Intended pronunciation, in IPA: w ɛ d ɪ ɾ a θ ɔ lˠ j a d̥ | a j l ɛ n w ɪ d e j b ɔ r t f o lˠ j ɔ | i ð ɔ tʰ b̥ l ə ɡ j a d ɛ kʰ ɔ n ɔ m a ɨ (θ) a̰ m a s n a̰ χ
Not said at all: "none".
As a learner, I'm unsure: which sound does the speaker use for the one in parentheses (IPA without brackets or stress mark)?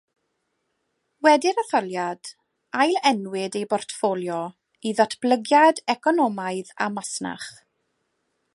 ð